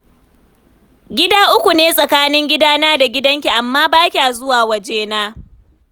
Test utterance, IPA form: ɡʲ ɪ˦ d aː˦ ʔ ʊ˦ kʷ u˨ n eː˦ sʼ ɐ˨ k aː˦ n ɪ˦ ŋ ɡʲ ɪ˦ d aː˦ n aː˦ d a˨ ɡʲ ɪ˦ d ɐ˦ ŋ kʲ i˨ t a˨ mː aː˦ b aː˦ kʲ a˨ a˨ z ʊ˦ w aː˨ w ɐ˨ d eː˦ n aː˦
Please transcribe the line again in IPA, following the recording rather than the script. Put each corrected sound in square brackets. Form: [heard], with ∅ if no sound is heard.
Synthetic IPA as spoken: ɡʲ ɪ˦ d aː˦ ʔ ʊ˦ kʷ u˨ n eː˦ sʼ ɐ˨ k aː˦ n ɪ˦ ŋ ɡʲ ɪ˦ d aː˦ n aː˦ d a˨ ɡʲ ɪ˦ d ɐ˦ ŋ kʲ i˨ [ʔ] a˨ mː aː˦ b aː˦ kʲ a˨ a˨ z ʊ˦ w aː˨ w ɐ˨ [d͡ʒ] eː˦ n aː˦